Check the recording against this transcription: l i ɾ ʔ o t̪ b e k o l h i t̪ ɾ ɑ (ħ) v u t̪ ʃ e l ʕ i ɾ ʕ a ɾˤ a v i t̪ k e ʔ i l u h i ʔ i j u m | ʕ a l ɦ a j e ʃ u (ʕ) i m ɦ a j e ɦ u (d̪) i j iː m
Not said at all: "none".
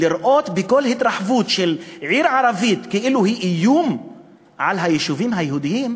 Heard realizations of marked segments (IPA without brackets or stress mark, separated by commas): ħ, v, d̪